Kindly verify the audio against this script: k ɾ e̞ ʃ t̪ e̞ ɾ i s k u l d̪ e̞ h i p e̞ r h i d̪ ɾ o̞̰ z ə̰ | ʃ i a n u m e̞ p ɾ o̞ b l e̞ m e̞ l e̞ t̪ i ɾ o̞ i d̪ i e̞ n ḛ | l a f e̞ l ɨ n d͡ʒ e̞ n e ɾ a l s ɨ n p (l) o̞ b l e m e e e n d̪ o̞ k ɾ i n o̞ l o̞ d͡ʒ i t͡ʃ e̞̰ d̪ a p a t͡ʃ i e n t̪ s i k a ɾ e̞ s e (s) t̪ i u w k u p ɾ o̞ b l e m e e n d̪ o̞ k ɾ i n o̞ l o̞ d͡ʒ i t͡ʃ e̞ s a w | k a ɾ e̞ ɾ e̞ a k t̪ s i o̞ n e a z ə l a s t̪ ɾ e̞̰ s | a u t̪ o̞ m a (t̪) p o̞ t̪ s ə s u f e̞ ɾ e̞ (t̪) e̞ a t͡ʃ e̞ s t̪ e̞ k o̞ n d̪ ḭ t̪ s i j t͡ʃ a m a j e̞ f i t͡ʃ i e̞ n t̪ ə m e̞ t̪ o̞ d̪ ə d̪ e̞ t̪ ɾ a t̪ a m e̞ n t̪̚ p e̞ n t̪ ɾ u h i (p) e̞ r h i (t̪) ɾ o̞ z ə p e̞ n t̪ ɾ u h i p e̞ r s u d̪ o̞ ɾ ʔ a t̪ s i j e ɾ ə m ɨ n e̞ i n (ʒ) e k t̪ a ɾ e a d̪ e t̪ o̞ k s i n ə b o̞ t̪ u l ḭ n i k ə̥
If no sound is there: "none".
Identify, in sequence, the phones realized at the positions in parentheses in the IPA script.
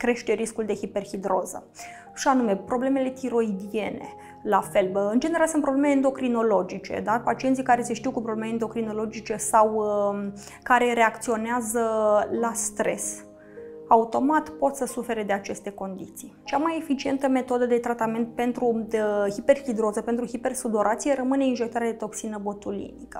ɾ, ʃ, t̪, d̪, p, d̪, ʒ

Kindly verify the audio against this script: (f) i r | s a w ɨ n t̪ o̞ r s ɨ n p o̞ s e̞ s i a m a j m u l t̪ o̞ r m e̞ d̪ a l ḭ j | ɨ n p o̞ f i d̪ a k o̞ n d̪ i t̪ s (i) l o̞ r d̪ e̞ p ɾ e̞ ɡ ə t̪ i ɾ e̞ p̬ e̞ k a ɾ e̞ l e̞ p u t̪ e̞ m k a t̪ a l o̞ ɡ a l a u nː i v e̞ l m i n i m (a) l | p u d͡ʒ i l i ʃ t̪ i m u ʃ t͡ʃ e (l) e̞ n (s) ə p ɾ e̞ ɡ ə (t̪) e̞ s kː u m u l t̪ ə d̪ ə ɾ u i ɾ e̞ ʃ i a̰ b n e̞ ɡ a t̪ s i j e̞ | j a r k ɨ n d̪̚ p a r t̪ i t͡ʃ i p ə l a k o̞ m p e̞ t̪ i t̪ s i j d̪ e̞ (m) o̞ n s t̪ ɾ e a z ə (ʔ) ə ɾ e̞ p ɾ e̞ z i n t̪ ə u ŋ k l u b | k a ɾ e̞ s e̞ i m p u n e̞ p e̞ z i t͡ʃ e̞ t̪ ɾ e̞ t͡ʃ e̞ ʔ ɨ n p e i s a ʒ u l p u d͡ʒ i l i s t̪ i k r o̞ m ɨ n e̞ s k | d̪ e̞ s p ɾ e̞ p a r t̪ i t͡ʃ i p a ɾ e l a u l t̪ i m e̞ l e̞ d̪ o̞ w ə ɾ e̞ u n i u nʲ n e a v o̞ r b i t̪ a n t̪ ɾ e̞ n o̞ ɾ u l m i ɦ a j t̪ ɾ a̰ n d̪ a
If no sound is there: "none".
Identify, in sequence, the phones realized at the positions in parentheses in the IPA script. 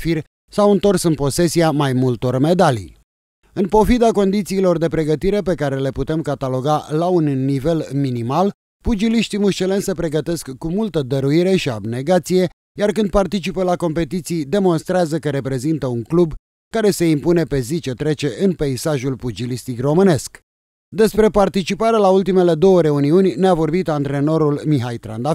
f, iː, a, l, s, t̪, m, k

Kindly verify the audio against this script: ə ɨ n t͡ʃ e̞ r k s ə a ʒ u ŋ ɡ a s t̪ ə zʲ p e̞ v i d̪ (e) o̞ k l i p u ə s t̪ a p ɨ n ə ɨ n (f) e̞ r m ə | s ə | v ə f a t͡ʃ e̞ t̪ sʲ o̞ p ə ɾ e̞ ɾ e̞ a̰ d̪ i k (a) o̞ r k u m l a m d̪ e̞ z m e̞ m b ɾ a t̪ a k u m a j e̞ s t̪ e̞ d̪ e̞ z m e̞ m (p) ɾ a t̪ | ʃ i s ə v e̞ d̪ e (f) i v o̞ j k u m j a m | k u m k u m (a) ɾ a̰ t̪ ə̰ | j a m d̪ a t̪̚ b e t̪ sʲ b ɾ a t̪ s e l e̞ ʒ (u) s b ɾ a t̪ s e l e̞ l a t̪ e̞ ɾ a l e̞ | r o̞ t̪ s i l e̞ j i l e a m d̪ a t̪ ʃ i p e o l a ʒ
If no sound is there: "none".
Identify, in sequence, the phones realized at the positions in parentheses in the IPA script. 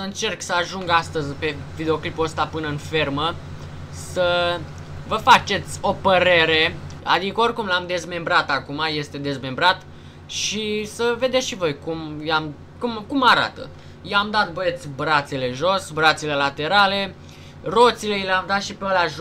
e, f, ə, b, ʃ, a, o

